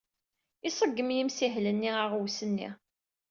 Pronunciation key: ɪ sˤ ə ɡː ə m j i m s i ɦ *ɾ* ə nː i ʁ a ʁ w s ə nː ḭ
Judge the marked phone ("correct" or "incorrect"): incorrect